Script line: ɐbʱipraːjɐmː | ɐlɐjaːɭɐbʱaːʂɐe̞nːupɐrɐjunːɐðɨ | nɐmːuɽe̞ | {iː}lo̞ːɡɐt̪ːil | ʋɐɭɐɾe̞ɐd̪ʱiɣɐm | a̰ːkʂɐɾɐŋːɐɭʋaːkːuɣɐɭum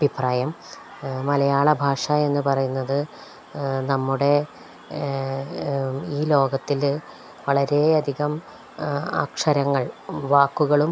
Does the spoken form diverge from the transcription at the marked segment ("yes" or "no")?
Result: no